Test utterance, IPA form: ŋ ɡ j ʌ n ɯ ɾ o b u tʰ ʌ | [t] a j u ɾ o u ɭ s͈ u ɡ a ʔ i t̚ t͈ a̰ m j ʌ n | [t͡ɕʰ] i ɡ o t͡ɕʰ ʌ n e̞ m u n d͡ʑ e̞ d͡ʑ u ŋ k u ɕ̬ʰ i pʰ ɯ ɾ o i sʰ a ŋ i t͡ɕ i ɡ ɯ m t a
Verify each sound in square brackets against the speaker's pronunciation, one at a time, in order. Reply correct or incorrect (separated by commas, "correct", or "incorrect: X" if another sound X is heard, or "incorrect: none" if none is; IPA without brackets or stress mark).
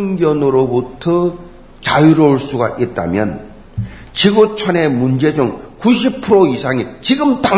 incorrect: t͡ɕ, incorrect: t͡ɕ